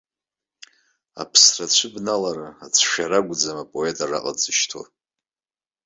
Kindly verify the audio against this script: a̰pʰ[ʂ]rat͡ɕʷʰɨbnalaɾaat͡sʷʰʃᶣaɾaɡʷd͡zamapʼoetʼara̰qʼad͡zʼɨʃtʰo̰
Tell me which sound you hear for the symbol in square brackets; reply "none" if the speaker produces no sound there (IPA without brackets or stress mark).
s